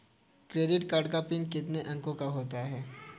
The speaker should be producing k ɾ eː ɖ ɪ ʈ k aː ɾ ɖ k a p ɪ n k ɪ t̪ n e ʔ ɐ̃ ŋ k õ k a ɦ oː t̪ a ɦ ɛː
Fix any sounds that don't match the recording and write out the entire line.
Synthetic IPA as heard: k ɾ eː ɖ ɪ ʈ k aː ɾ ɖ k a p ɪ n k ɪ t̪ n e ʔ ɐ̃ ŋ k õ k a ɦ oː t̪ a ɦ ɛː